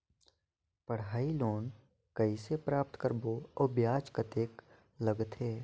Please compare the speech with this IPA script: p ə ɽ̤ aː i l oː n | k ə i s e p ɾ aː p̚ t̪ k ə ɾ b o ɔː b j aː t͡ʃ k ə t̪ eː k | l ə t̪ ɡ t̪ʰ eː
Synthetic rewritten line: p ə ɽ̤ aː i l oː n | k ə i s e p ɾ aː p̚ t̪ k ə ɾ b o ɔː b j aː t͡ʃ k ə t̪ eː k | l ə ɡ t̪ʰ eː